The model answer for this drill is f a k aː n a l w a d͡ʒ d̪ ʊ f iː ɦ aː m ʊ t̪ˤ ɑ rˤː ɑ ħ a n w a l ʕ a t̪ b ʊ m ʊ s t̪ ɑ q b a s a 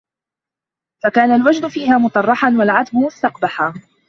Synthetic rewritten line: f a k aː n a l w a d͡ʒ d̪ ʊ f iː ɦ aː m ʊ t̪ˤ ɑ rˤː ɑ ħ a n w a l ʕ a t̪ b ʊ m ʊ s t̪ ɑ q b a ħ a